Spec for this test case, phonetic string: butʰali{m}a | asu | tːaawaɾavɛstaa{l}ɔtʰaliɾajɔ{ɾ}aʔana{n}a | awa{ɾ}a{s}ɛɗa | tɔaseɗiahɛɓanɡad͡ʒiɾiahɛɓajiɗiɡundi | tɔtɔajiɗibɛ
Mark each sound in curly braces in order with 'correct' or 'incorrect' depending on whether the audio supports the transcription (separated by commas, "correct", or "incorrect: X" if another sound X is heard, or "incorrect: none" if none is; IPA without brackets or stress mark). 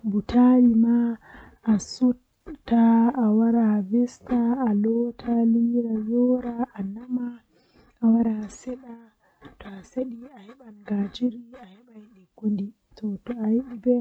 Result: correct, correct, correct, incorrect: m, correct, correct